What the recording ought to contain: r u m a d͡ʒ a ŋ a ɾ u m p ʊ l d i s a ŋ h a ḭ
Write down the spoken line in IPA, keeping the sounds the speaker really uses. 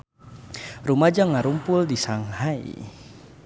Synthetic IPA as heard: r u m a d͡ʒ a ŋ a ɾ u m p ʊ l d i s a ŋ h a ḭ